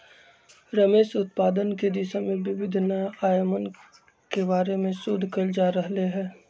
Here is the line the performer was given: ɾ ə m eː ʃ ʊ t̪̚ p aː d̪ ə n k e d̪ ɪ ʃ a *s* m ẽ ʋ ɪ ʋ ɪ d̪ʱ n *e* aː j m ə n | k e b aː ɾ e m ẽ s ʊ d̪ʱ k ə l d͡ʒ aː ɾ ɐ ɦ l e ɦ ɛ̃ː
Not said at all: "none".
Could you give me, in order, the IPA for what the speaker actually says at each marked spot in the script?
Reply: none, a

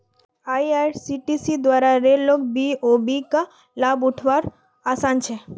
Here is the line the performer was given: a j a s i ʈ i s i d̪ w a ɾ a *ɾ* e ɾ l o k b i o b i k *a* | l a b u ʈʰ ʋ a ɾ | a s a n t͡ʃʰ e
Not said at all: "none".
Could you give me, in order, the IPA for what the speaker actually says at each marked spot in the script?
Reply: ɾ, a

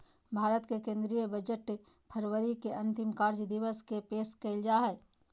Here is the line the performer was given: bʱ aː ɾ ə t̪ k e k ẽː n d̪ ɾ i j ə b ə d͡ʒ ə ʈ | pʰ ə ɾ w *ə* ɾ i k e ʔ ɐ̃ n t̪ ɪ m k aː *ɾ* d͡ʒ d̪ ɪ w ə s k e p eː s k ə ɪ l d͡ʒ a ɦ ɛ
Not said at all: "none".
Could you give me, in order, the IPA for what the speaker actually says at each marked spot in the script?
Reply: ə, ɾ

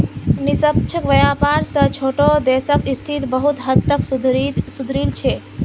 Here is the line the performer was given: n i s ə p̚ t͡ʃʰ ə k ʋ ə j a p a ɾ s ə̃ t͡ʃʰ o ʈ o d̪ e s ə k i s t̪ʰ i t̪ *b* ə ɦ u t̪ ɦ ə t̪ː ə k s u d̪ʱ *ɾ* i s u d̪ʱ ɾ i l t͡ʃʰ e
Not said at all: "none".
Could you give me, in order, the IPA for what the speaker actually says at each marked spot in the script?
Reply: b, ɾ

